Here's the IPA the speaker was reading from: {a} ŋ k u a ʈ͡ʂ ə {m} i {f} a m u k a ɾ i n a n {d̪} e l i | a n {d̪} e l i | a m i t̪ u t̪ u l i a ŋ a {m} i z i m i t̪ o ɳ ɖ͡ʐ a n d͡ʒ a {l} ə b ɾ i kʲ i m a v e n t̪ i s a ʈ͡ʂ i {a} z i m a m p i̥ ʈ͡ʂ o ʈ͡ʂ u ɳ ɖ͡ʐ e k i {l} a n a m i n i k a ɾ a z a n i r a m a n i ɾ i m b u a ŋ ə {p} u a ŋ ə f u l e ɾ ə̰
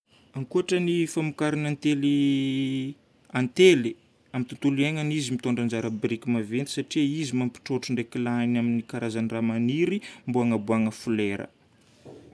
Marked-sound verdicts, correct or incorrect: correct, incorrect: n, correct, incorrect: t̪, incorrect: t̪, incorrect: n, incorrect: ɾ, incorrect: i, correct, incorrect: b

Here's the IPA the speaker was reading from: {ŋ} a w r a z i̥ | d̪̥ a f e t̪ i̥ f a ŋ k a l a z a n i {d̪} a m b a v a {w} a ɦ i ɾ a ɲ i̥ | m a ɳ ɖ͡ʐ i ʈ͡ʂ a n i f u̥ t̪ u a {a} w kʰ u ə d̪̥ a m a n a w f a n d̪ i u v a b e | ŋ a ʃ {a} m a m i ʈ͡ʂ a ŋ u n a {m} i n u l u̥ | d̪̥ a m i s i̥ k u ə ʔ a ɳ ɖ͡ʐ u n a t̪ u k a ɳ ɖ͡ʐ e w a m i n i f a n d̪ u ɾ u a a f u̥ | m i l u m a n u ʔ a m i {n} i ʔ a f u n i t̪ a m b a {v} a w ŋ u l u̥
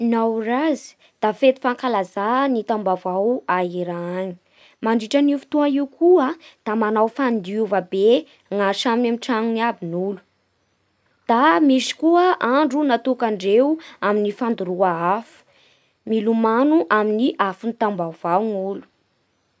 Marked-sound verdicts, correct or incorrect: incorrect: n, incorrect: t̪, correct, incorrect: i, correct, incorrect: b, correct, correct

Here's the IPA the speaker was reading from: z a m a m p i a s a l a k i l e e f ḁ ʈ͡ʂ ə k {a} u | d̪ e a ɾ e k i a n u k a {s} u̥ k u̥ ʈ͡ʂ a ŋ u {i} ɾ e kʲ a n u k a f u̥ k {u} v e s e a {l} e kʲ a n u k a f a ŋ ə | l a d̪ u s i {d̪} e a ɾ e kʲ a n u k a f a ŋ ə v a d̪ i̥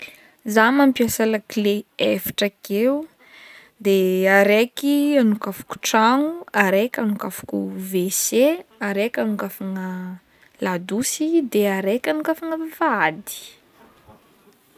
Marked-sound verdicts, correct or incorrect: incorrect: e, incorrect: f, incorrect: a, correct, incorrect: ɾ, correct

